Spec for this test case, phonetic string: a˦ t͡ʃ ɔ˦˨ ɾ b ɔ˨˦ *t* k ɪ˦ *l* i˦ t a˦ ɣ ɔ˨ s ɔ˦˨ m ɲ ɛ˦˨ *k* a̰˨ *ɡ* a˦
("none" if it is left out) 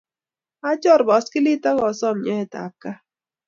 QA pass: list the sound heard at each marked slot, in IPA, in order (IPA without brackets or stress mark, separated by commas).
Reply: s, l, t, k